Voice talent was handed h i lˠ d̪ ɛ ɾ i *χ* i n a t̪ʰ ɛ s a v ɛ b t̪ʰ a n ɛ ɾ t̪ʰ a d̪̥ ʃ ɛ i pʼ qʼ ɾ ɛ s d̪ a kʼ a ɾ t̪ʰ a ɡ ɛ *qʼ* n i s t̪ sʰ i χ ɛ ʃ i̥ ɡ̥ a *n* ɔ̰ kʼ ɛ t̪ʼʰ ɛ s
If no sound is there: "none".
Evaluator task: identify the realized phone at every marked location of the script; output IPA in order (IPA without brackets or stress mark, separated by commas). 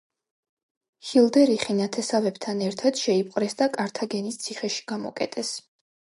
χ, none, m